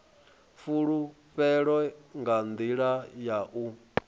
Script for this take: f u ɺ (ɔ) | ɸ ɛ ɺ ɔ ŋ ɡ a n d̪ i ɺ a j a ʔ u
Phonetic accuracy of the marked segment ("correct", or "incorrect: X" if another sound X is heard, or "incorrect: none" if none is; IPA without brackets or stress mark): incorrect: u